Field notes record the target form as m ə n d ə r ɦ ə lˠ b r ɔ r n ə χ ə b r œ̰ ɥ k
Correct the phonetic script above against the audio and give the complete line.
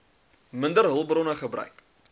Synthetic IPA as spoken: m ə n d ə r ɦ ə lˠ b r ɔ n ə χ ə b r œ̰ ɥ k